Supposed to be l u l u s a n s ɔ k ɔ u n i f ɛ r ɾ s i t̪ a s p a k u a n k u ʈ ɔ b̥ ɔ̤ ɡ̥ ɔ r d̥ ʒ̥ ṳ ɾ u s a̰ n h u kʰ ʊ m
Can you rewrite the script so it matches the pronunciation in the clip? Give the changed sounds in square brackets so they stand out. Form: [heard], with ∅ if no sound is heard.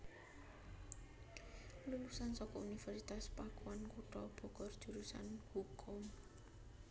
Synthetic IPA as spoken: l u l u s a n s ɔ k ɔ u n i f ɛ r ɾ s i t̪ a s p a k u a n k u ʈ ɔ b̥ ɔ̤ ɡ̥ ɔ r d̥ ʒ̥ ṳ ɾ u s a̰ n h u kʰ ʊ m